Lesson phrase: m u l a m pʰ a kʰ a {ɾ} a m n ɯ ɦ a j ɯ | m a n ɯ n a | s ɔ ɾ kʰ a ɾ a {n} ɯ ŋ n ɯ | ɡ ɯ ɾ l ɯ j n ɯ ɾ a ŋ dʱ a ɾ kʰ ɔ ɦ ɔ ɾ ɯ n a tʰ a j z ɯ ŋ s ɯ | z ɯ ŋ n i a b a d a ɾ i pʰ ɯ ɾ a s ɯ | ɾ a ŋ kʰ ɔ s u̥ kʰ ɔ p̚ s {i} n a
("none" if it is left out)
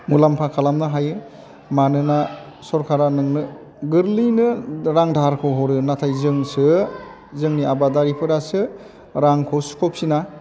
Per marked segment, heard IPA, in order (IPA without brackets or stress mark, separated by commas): l, n, i